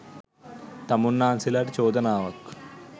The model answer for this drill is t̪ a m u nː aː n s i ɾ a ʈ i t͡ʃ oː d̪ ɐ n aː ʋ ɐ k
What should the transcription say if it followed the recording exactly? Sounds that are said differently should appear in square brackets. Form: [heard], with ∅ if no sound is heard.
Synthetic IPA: t̪ [ɐ] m u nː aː n s i [l] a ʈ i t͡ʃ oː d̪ ɐ n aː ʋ ɐ k